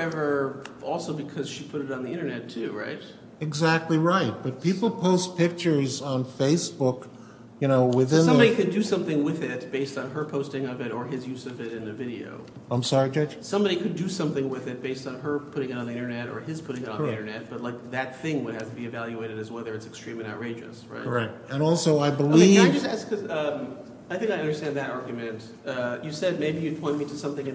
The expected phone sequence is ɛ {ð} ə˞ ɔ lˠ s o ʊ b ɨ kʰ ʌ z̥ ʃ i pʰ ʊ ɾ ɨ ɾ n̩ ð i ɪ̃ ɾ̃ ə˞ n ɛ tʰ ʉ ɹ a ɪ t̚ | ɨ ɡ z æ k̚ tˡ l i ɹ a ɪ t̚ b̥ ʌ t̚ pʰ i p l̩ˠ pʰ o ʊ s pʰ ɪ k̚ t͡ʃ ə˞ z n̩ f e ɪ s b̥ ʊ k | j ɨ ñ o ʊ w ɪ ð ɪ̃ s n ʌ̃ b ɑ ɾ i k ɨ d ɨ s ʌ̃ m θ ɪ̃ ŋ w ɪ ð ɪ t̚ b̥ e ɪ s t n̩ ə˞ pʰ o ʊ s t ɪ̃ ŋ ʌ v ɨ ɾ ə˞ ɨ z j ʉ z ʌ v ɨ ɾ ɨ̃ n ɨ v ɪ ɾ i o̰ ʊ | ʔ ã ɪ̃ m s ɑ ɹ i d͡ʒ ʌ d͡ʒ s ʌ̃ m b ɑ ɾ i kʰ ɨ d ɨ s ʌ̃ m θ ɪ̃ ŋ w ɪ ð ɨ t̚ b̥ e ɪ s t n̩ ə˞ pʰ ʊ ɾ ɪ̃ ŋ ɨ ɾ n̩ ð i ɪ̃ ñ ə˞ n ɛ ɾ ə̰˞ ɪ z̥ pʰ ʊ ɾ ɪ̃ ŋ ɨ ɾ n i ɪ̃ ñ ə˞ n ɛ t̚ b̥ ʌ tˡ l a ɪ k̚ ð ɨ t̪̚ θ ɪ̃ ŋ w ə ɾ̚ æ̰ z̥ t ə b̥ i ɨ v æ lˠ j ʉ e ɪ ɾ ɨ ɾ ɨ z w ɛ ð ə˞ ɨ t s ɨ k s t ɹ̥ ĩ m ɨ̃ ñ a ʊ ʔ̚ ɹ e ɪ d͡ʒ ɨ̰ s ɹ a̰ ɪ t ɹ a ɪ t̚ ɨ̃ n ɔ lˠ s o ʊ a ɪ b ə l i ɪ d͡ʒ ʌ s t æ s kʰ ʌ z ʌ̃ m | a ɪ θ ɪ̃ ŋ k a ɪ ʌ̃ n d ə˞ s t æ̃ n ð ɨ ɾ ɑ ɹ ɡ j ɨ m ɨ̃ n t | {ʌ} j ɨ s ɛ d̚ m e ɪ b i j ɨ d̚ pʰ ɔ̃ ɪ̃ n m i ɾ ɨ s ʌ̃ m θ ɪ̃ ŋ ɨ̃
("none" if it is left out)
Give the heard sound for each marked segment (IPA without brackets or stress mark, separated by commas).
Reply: v, ʌ